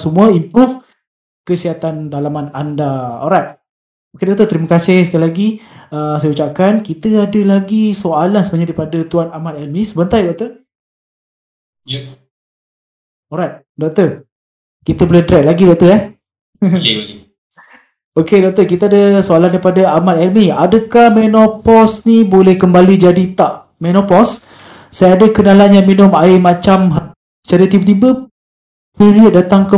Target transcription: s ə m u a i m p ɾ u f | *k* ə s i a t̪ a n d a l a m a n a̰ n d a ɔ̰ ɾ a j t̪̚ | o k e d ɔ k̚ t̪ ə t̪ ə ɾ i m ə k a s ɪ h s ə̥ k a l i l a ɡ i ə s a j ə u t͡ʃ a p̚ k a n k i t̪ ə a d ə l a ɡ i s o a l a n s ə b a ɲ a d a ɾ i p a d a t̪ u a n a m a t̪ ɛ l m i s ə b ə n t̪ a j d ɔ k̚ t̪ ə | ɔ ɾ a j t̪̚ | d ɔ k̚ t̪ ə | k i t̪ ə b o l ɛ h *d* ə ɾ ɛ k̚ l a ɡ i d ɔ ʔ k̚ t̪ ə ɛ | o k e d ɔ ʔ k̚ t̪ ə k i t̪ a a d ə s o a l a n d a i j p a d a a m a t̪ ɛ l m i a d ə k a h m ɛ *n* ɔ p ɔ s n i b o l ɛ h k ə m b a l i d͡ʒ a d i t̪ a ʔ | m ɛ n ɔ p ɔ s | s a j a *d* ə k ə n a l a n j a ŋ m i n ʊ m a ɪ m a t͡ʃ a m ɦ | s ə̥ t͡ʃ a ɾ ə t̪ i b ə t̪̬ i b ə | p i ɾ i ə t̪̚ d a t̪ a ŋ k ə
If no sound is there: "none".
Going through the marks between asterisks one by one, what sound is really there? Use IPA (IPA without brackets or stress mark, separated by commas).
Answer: k, d, n, d